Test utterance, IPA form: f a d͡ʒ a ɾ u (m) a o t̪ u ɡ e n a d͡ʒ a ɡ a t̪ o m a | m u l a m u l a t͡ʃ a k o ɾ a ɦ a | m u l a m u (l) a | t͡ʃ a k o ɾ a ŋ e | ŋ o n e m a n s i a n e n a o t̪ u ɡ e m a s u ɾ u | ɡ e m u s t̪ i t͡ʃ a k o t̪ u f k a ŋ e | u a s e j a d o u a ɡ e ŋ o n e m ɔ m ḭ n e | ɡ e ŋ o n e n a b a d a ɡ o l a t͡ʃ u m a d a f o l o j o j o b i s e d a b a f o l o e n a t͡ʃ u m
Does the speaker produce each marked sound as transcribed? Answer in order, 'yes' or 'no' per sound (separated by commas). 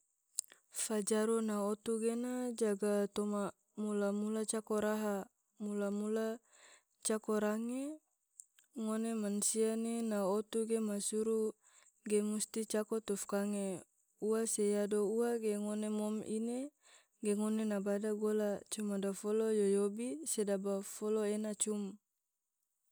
no, yes